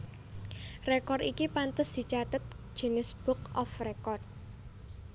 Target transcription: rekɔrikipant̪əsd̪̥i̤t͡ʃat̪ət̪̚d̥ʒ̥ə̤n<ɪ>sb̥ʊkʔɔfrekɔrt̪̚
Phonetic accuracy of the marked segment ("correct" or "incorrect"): correct